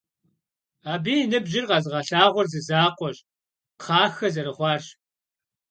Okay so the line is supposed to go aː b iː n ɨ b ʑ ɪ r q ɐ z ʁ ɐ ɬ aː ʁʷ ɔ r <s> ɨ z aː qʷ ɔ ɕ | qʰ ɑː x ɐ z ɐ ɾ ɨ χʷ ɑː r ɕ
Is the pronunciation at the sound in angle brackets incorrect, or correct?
incorrect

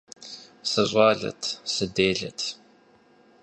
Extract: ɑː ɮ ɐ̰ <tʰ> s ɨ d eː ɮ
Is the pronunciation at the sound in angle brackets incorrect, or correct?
correct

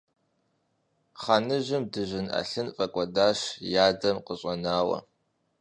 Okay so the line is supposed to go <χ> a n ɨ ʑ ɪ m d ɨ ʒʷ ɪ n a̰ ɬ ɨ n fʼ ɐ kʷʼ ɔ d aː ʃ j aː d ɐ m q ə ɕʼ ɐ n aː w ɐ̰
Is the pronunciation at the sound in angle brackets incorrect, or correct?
correct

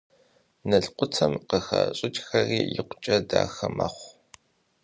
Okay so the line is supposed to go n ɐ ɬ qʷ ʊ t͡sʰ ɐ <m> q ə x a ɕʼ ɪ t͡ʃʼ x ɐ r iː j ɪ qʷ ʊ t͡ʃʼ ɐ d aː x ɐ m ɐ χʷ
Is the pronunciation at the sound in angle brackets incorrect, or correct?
correct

